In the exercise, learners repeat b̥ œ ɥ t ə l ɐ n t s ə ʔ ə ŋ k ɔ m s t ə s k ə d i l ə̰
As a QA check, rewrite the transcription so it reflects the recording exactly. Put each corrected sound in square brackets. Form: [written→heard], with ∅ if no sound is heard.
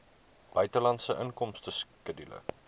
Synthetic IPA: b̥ œ ɥ t ə l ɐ n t s ə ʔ ə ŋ k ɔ m s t ə s k ə d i l ə̰